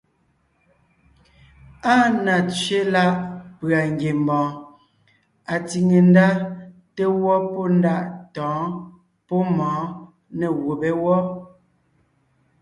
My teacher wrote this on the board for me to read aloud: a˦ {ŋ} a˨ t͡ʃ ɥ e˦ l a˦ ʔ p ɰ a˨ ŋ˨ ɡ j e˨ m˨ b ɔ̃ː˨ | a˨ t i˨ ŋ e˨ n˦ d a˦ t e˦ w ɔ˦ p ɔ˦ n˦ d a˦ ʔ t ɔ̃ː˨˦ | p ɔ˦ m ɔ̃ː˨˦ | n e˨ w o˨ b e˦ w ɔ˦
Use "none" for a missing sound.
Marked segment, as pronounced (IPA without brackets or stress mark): n